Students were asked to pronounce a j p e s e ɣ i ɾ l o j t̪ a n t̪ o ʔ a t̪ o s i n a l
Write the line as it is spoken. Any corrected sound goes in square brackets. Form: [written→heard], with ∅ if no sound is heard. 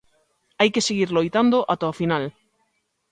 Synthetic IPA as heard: a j [p→k] e s e ɣ i ɾ l o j t̪ a n [t̪→d̪] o ʔ a t̪ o [s→f] i n a l

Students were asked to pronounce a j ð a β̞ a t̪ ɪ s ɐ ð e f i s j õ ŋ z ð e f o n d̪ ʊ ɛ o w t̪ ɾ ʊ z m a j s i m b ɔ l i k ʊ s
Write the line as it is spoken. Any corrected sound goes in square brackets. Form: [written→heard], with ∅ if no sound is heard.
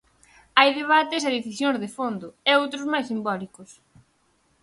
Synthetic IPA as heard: a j ð [a→e] β̞ a t̪ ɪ s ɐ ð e [f→θ] i s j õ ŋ z ð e f o n d̪ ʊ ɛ o w t̪ ɾ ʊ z m a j s i m b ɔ l i k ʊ s

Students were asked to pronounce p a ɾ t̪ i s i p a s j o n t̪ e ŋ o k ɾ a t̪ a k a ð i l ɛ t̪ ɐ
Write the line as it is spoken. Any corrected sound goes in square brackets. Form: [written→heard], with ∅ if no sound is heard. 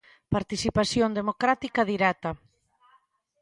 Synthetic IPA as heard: p a ɾ t̪ i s i p a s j o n [t̪→d̪] e [ŋ→m] o k ɾ a t̪ [a→i] k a ð i [l→ɾ] ɛ t̪ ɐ

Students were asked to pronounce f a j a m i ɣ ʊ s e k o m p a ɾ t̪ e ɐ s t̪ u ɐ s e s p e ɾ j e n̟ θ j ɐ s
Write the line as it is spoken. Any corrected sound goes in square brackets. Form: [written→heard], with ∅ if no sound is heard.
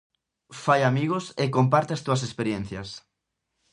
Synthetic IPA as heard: f a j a m i ɣ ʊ s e k o m p a ɾ t̪ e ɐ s t̪ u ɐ s e s p e ɾ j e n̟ θ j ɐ s

